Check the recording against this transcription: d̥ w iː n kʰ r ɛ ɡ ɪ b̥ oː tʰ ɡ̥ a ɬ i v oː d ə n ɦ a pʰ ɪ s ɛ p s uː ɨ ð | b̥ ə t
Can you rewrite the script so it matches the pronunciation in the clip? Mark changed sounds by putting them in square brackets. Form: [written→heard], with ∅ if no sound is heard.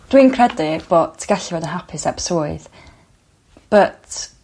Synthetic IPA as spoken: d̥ w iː n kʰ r ɛ [ɡ→d] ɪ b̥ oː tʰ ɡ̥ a ɬ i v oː d ə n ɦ a pʰ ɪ s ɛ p s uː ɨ ð | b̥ ə t